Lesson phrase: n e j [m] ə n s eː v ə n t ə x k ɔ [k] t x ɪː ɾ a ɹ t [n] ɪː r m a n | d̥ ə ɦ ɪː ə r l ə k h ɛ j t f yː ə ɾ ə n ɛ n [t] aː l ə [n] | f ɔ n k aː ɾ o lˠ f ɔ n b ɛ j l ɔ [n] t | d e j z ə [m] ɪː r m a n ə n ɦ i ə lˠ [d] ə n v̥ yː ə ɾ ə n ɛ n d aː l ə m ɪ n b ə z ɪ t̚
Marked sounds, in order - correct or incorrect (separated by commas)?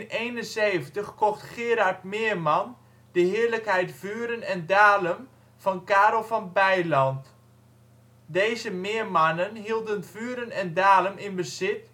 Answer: incorrect, incorrect, incorrect, incorrect, incorrect, correct, correct, correct